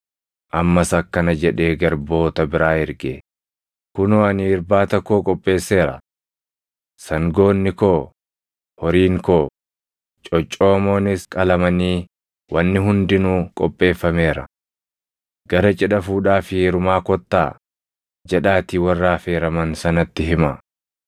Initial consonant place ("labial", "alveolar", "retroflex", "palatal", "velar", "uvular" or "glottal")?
glottal